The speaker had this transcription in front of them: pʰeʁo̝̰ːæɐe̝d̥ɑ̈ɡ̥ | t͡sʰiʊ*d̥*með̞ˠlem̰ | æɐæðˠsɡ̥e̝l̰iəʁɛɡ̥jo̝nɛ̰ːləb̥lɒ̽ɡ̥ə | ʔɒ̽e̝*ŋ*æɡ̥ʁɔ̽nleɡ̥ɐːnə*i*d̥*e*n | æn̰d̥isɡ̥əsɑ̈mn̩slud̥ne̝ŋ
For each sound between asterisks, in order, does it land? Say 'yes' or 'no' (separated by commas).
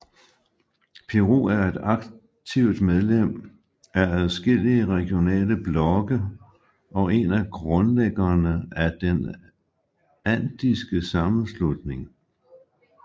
yes, no, no, yes